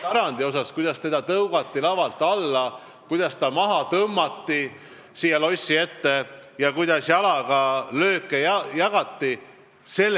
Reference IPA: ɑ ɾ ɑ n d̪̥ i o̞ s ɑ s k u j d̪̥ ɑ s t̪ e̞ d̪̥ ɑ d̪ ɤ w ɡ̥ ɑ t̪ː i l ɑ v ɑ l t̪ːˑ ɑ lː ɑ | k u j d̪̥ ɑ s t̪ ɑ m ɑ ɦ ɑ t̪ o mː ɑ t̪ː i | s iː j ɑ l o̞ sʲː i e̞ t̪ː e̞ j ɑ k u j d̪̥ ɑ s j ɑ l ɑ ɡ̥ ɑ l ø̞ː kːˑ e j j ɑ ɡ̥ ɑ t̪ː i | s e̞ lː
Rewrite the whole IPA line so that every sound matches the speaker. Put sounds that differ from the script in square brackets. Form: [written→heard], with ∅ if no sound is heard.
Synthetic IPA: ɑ ɾ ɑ n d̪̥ i o̞ s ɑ s k u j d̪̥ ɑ s t̪ e̞ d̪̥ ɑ [d̪→t̪] ɤ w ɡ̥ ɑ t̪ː i l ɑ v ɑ l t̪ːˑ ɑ lː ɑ | k u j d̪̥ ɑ s t̪ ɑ m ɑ ɦ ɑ t̪ [o→ɤ] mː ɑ t̪ː i | s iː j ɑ l o̞ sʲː i e̞ t̪ː e̞ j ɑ k u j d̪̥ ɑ s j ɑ l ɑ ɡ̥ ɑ l ø̞ː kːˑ e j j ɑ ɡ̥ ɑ t̪ː i | s e̞ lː